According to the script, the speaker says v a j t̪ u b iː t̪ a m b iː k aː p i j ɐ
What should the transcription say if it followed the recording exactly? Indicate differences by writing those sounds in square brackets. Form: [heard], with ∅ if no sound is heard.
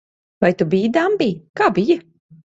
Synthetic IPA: v a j t̪ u b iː [d̪] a m b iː k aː [b] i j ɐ